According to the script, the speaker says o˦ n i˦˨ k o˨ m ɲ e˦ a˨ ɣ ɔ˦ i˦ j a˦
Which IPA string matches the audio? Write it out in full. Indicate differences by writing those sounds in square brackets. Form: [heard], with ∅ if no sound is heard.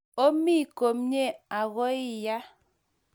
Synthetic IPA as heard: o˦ [m] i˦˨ k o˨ m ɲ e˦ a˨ ɣ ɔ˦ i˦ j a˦